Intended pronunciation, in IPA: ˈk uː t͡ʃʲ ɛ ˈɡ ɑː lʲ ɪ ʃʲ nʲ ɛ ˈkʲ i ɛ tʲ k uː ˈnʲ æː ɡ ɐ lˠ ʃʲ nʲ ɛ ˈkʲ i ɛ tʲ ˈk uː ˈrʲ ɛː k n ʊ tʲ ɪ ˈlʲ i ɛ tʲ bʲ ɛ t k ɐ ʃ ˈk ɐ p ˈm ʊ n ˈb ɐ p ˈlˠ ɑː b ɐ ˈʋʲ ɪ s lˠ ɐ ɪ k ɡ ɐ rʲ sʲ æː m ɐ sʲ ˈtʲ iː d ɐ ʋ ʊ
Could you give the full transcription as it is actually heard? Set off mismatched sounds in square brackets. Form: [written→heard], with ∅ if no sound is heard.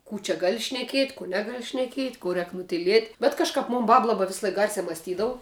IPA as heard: ˈk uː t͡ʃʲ ɛ ˈɡ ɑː lʲ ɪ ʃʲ nʲ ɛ ˈkʲ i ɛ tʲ k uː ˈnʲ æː ɡ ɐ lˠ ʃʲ nʲ ɛ ˈkʲ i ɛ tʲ ˈk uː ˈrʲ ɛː k n ʊ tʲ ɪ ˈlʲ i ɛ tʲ bʲ ɛ t k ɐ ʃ ˈk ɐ p ˈm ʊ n ˈb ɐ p ˈlˠ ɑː b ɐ ˈʋʲ ɪ s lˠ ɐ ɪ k ɡ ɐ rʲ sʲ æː m ɐ sʲ ˈtʲ iː d ɐ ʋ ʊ